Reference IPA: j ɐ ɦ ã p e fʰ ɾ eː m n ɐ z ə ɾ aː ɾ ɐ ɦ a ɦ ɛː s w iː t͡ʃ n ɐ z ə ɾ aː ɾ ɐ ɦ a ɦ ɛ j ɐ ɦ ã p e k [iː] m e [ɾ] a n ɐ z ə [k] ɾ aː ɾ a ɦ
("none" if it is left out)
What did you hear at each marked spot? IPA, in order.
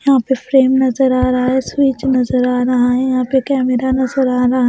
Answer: ɛː, ɾ, none

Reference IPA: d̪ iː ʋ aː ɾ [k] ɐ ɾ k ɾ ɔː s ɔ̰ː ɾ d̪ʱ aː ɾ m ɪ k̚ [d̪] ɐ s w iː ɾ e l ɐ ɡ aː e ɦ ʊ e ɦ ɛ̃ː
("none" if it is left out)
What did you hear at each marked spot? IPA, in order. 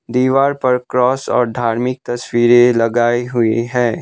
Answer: p, t̪

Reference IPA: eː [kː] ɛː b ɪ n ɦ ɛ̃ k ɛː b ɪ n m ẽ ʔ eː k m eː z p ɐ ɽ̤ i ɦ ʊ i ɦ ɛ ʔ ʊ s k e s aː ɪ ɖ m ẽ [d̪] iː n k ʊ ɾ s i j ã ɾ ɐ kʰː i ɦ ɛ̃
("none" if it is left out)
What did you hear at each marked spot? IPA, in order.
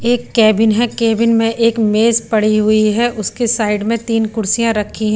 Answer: kː, t̪

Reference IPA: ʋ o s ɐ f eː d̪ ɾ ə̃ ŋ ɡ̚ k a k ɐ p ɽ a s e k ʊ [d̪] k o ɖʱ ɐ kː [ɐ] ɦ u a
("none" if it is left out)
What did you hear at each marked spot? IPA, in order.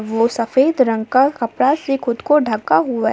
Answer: d̪, a

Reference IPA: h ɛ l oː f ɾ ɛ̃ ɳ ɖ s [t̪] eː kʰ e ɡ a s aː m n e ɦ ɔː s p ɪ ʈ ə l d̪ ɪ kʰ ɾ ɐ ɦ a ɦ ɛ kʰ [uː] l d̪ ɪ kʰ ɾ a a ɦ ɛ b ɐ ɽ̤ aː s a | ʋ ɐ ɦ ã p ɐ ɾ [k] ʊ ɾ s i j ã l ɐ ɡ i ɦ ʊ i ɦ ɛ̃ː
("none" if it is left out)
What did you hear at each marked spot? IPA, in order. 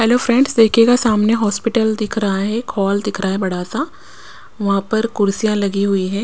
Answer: d̪, ɔː, k

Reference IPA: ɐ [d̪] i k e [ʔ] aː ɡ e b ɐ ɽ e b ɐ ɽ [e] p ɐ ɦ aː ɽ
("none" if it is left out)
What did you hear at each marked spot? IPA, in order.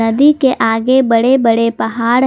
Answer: d̪, ʔ, e

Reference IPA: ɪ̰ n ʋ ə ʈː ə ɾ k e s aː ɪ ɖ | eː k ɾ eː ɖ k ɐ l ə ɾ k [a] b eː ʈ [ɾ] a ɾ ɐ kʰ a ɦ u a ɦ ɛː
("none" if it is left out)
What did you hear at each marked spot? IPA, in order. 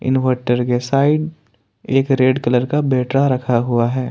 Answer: a, ɾ

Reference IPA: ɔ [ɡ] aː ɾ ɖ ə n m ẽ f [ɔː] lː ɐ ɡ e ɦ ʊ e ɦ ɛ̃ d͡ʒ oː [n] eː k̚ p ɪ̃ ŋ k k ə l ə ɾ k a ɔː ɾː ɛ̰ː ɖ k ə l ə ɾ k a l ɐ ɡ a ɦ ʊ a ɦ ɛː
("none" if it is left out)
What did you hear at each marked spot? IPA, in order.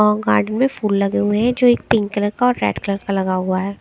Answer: ɡ, uː, none

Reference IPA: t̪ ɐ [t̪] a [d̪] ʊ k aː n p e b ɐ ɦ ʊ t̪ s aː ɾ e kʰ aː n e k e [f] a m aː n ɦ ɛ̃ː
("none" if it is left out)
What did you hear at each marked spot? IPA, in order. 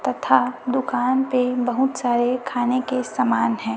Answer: t̪ʰ, d̪, s

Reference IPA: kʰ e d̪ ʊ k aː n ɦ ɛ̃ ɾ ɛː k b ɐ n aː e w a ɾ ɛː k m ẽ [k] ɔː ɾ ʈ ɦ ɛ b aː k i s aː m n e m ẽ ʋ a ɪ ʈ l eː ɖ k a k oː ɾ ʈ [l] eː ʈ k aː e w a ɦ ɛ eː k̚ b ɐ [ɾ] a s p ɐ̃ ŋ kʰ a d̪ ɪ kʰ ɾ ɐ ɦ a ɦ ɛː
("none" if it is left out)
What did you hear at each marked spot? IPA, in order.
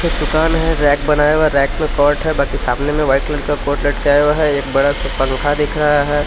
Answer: k, l, ɽ

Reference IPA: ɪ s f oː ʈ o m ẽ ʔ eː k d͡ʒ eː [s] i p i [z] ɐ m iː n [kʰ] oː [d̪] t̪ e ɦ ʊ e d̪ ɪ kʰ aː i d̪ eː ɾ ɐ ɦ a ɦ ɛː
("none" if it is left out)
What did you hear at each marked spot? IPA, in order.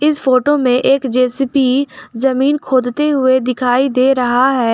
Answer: s, z, kʰ, d̪

